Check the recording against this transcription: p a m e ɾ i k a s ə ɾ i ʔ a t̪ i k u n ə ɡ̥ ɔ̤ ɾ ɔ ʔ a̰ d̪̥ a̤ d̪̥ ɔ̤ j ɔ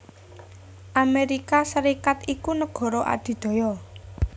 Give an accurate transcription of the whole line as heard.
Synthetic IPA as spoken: ʔ a m e ɾ i k a s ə ɾ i k a t̪ i k u n ə ɡ̥ ɔ̤ ɾ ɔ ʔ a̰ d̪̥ i̤ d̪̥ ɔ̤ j ɔ